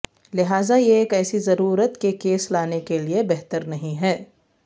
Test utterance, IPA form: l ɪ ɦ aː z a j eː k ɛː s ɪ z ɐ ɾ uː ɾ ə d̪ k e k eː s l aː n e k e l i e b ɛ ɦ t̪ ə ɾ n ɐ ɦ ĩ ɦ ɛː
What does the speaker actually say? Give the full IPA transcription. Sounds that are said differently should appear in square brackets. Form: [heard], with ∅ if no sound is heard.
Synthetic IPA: l ɪ ɦ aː z a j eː k ɛː s [i] z ɐ ɾ uː ɾ ə [t̪] k e k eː s l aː n e k e l i e b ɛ ɦ t̪ ə ɾ n ɐ ɦ ĩ ɦ ɛː